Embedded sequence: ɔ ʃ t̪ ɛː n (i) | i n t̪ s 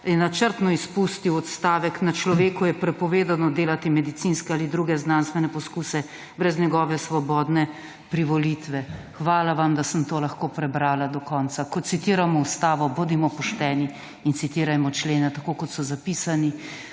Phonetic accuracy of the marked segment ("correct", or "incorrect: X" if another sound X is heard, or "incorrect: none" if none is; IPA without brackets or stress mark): correct